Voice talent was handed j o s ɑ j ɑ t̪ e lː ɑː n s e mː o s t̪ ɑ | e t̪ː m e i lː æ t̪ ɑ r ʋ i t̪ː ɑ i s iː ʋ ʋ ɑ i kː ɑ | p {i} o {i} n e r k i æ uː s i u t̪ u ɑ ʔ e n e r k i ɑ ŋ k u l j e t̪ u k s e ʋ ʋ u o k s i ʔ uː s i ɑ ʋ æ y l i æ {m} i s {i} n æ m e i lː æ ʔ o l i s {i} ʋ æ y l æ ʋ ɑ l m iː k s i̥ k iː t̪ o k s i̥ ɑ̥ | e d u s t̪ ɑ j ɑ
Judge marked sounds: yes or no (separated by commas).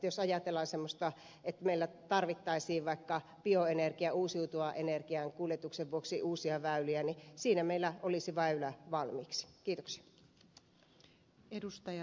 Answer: yes, no, no, no, yes